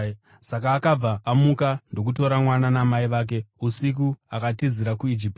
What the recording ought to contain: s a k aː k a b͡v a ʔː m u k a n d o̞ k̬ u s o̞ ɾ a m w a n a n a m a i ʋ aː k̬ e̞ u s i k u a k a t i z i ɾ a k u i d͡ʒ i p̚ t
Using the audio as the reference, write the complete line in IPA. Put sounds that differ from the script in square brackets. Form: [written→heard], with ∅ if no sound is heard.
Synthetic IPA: s a k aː k a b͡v a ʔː m u k a n d o̞ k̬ u [s→t] o̞ ɾ a m w a n a n a m a i ʋ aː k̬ e̞ u s i k u a k a t i z i ɾ a k u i d͡ʒ i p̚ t